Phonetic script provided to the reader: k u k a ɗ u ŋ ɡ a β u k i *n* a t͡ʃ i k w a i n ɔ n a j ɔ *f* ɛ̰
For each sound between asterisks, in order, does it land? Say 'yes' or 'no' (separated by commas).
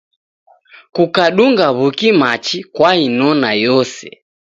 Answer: no, no